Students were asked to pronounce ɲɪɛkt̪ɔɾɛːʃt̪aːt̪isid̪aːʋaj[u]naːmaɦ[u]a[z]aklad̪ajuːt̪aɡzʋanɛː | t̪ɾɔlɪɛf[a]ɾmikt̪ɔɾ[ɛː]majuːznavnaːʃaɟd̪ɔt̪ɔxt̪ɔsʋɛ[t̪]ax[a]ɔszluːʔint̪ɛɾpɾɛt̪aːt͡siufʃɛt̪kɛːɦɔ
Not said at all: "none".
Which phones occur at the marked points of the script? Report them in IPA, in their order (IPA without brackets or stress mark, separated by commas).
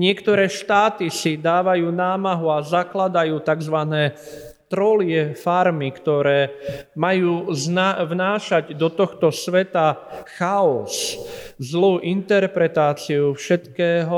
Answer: uː, u, z, a, ɛː, t̪, a